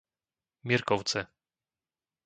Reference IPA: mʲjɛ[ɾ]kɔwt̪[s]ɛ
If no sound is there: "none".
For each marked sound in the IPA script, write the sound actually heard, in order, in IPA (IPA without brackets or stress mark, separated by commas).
ɾ, s